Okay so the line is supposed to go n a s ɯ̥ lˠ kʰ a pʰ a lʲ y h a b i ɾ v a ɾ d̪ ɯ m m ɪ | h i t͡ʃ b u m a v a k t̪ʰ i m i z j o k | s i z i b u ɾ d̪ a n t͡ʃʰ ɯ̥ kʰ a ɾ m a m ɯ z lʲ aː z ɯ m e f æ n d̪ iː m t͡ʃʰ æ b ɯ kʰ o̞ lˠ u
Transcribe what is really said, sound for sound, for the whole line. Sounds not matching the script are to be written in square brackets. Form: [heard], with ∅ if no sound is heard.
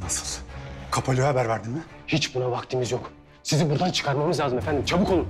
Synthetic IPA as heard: n a s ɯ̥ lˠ kʰ a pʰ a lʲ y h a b [æ] ɾ v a ɾ d̪ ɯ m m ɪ | h i t͡ʃ b u [n] a v a k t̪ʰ i m i z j o k | s i z i b u ɾ d̪ a n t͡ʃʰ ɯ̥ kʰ a ɾ m a m ɯ z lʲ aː z ɯ m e f æ n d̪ [i] m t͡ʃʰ [a] b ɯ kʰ o̞ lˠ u